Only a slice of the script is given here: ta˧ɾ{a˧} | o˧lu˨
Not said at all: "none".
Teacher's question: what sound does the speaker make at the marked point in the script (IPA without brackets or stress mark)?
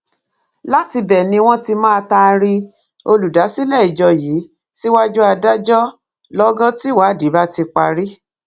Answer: i˧